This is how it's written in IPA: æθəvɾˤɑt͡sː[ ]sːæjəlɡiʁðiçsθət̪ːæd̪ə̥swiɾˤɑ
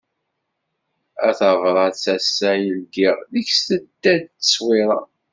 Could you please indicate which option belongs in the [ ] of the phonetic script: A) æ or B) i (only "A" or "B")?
A